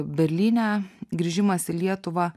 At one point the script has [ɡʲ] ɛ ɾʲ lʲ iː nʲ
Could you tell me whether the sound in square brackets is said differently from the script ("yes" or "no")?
yes